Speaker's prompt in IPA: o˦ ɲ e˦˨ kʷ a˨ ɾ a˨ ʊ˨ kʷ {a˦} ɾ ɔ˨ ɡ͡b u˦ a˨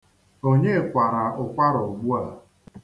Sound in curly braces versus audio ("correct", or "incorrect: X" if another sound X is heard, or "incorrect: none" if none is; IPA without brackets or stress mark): correct